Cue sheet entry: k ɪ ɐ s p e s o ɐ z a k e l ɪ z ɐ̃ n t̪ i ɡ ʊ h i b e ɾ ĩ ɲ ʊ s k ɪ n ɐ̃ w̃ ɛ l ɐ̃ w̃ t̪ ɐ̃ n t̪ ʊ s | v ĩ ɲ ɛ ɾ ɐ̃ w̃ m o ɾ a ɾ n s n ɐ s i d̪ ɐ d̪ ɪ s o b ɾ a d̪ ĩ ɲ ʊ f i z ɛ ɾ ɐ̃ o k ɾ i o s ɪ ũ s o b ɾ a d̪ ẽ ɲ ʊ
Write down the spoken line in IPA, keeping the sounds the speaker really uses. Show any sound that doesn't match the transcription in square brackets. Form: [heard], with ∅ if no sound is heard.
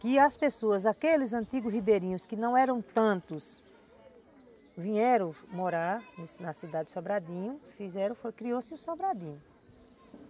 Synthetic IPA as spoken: k ɪ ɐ s p e s o ɐ z a k e l ɪ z ɐ̃ n t̪ i ɡ ʊ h i b e ɾ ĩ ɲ ʊ s k ɪ n ɐ̃ w̃ ɛ [ɾ] ɐ̃ w̃ t̪ ɐ̃ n t̪ ʊ s | v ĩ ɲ ɛ ɾ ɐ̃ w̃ m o ɾ a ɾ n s n ɐ s i d̪ [a] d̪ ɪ s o b ɾ a d̪ ĩ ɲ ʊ f i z ɛ ɾ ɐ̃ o k ɾ i o s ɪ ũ s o b ɾ a d̪ [ĩ] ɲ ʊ